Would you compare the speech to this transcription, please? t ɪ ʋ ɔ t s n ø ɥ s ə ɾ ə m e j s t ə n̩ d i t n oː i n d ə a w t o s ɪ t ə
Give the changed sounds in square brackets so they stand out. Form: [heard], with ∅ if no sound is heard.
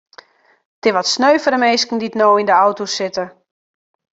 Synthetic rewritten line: t ɪ ʋ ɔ t s n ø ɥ [f] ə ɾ ə m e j s [k] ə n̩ d i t n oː i n d ə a w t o s ɪ t ə